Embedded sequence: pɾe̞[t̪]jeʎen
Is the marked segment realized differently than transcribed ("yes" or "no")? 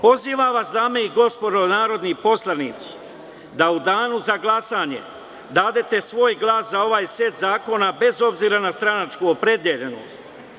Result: yes